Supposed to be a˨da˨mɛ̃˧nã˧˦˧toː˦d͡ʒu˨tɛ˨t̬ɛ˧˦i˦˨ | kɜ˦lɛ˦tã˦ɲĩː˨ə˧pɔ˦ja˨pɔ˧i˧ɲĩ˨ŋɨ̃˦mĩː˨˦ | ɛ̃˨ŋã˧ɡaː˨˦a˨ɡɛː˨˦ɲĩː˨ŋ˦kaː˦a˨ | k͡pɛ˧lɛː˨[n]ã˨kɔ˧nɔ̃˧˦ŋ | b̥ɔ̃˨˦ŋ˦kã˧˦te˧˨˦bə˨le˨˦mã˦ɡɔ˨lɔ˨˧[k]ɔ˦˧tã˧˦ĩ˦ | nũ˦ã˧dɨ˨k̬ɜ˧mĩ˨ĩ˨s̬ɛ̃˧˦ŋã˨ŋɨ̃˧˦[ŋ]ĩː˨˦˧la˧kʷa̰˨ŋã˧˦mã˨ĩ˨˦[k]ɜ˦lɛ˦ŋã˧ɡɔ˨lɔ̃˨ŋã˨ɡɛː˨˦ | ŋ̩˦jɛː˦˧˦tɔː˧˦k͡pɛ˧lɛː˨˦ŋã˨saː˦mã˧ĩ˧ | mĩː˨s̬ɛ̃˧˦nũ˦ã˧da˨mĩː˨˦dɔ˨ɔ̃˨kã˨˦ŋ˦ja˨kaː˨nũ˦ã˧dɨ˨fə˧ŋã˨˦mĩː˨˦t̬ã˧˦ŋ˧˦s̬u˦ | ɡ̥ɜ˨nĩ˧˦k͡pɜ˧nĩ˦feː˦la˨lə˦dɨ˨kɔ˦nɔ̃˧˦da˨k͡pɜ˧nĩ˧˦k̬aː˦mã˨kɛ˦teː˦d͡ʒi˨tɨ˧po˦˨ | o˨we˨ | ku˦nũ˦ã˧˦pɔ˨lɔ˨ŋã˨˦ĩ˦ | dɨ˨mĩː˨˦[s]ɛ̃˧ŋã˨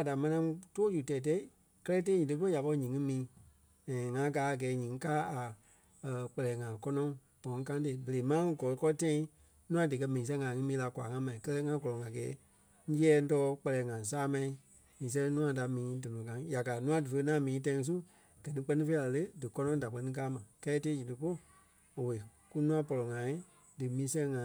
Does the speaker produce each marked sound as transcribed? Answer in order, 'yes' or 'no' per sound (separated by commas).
no, yes, no, yes, yes